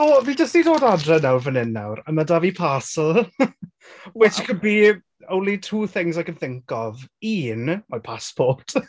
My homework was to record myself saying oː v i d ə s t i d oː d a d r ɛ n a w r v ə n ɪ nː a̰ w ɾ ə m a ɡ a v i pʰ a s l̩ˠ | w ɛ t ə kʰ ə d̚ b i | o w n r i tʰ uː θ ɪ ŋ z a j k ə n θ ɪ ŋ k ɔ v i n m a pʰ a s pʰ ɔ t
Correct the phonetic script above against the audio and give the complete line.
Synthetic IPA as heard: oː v i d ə s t i d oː d a d r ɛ n a w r v ə n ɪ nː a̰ w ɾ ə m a d a v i pʰ a s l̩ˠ | w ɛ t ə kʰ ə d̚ b i | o w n l i tʰ uː θ ɪ ŋ z a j k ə n θ ɪ ŋ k ɔ v i n m a pʰ a s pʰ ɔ t